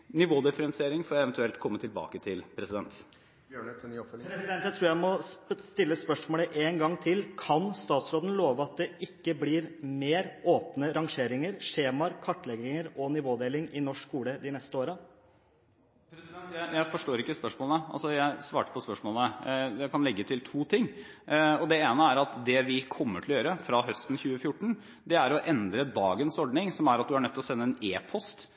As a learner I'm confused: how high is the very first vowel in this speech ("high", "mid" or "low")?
high